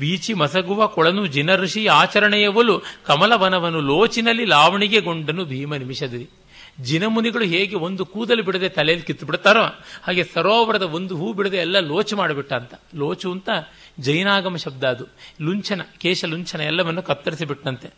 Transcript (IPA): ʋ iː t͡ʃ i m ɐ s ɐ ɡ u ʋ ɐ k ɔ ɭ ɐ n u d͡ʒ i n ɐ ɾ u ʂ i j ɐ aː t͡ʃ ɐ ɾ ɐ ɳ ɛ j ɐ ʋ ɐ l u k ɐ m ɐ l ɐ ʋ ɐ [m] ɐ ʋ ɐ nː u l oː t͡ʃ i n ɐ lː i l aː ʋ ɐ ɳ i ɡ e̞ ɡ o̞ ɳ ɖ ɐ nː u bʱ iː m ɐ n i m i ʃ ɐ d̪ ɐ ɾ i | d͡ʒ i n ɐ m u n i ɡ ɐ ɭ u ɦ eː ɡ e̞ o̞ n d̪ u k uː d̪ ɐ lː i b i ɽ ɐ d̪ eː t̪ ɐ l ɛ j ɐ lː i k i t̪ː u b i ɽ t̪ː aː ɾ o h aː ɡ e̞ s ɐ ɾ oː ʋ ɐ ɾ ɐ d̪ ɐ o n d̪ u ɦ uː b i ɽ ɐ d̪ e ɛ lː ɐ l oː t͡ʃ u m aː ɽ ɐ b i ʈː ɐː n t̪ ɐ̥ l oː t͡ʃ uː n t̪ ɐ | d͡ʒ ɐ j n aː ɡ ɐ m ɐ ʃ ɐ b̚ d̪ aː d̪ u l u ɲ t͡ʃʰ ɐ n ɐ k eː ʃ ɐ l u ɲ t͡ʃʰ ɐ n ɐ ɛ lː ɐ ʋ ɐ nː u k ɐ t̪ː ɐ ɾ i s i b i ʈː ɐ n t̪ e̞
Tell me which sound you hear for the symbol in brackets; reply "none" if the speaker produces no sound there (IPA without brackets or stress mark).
n